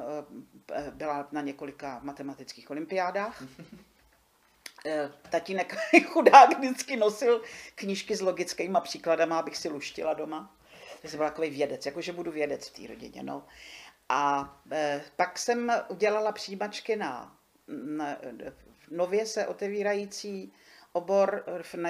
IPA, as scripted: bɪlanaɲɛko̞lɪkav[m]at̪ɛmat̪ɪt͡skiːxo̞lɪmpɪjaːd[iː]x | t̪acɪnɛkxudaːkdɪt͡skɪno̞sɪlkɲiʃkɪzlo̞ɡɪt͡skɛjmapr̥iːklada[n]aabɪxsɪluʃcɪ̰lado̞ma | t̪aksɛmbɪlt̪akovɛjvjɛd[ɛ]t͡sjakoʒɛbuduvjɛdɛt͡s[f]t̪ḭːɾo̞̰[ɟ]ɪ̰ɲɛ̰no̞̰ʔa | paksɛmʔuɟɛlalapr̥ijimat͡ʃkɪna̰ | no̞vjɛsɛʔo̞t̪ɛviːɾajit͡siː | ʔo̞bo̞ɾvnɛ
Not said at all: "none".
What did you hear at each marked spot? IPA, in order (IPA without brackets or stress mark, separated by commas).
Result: m, aː, m, ɛ, f, ɟ